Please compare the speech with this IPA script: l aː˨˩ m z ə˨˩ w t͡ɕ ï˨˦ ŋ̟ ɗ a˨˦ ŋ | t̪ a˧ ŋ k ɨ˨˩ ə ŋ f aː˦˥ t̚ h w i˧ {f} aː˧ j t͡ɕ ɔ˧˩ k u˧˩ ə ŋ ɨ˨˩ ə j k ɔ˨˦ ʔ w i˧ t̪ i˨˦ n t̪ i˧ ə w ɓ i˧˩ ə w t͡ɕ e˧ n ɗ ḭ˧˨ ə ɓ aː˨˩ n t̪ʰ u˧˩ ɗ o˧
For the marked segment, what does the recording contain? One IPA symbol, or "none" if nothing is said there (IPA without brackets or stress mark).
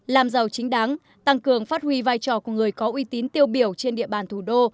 v